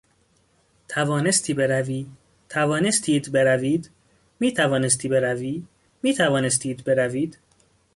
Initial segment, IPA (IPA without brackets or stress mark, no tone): t̪ʰ